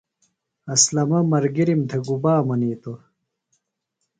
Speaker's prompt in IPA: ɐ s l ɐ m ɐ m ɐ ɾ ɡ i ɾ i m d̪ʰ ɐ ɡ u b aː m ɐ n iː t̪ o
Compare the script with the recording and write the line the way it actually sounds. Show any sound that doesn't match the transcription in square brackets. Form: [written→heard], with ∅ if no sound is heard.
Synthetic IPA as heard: ɐ s l ɐ m ɐ m ɐ ɾ ɡ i ɾ i m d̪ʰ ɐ ɡ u b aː m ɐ n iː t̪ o